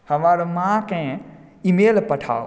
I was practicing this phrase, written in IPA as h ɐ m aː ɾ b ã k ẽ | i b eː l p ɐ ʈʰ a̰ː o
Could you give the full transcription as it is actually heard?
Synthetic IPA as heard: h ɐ m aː ɾ m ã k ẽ | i m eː l p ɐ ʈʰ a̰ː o

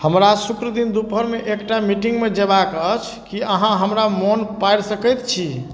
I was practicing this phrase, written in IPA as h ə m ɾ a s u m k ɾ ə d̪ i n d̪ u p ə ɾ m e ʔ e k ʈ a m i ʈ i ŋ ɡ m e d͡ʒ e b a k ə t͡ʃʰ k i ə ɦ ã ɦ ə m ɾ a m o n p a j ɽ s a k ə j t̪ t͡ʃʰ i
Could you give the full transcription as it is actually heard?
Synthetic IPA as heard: h ə m ɾ a s u k ɾ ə d̪ i n d̪ u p ə ɾ m e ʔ e k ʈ a m i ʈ i ŋ ɡ m e d͡ʒ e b a k ə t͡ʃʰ k i ə ɦ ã ɦ ə m ɾ a m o n p a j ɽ s ə k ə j t̪ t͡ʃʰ i

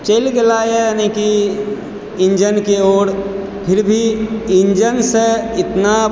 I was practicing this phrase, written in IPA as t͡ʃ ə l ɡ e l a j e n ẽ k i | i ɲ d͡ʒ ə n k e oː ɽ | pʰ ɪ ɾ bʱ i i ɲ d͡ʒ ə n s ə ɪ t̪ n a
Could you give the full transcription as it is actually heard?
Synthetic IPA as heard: t͡ʃ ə l ɡ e l a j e n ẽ k i | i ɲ d͡ʒ ə n k e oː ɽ | pʰ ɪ ɾ bʱ i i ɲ d͡ʒ ə n s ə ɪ t̪ n a

